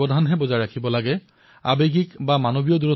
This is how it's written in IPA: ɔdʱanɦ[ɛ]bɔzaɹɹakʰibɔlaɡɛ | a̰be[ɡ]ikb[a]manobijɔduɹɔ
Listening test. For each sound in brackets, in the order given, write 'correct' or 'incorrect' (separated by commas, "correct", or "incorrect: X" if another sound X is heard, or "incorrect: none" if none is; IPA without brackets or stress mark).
correct, correct, correct